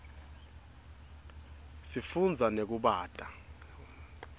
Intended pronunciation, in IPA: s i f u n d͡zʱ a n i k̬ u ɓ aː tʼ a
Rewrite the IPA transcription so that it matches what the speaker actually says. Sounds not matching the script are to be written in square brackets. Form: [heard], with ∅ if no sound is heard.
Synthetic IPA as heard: s i f u n d͡zʱ a n [e] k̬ u ɓ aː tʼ a